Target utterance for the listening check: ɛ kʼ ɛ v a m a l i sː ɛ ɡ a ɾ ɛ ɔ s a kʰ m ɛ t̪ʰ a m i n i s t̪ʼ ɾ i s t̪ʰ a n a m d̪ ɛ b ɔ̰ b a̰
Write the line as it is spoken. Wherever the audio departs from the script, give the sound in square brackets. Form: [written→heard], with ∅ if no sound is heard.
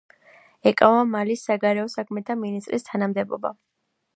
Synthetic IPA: ɛ kʼ [ɛ→a] v a m a l i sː [ɛ→a] ɡ a ɾ ɛ ɔ s a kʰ m ɛ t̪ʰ a m i n i s t̪ʼ ɾ i s t̪ʰ a n a m d̪ ɛ b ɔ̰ b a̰